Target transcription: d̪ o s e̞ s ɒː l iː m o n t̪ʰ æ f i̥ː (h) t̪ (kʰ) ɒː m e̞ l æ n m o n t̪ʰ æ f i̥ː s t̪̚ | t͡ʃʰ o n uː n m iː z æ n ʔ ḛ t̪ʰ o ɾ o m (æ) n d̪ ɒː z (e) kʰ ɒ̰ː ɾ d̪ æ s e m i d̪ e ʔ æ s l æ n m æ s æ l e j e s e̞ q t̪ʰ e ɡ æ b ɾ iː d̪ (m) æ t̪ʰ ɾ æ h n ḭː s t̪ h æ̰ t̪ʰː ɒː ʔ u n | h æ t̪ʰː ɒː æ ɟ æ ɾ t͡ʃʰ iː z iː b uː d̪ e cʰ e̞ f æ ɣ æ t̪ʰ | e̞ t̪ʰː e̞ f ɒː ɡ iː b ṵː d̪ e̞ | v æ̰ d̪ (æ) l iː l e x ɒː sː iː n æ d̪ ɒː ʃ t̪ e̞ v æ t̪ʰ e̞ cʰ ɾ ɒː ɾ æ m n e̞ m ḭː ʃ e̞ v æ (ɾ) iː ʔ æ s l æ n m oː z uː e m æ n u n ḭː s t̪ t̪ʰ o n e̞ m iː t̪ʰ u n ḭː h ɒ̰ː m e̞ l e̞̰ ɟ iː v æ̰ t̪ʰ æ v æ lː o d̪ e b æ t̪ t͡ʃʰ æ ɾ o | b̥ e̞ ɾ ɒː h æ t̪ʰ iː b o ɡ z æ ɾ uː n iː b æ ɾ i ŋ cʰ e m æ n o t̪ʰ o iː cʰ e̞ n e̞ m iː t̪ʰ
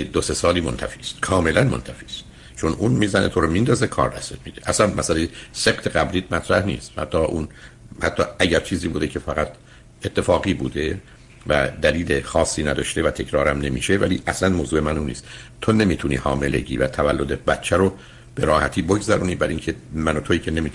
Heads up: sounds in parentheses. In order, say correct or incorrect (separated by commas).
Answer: incorrect, correct, incorrect, correct, correct, correct, incorrect